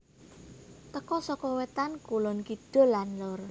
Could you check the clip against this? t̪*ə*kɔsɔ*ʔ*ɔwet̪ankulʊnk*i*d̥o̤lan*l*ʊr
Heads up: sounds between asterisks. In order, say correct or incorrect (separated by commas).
correct, incorrect, correct, correct